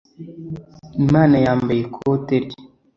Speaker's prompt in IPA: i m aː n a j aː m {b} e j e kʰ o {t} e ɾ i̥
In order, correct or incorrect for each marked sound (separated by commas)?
correct, correct